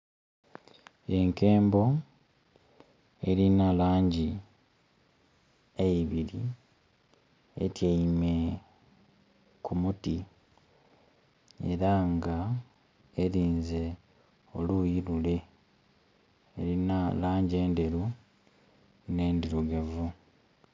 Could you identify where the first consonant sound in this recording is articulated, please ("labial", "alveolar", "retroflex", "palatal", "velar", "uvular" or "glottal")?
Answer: velar